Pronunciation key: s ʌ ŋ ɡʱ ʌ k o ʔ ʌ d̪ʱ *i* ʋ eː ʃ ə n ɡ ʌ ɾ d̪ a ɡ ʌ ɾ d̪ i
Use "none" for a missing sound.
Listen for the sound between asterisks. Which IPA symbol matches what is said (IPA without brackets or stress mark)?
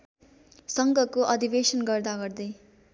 i